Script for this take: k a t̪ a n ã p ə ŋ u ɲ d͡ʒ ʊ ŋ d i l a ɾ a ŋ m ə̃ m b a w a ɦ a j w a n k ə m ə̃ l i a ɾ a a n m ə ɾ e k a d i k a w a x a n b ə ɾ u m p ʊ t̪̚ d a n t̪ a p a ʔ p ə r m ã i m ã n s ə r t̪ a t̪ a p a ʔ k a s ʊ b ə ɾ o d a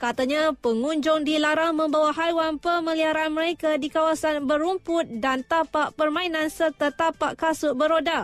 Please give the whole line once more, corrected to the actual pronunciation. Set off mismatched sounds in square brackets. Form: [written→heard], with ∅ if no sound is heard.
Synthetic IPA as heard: k a t̪ a [n→ɲ] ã p ə ŋ u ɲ d͡ʒ ʊ ŋ d i l a ɾ a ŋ m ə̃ m b a w a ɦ a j w a n [k→p] ə m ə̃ l i a ɾ a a n m ə ɾ e k a d i k a w a [x→s] a n b ə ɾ u m p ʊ t̪̚ d a n t̪ a p a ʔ p ə r m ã i [m→n] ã n s ə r t̪ a t̪ a p a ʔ k a s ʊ b ə ɾ o d a